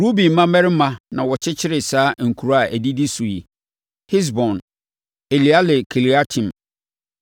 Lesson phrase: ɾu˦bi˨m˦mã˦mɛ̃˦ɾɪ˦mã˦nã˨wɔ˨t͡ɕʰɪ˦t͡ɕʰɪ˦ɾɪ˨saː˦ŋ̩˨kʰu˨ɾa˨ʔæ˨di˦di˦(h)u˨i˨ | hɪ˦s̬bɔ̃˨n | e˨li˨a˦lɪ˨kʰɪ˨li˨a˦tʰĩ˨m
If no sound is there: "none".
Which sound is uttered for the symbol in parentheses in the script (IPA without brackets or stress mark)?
s